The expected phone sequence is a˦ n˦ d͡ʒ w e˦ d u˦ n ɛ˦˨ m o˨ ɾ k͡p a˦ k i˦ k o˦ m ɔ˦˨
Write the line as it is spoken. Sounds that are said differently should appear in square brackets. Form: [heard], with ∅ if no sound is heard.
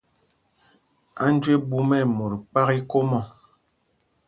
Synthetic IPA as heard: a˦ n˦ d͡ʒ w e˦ [b] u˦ [m] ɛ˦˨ m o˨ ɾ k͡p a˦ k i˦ k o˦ m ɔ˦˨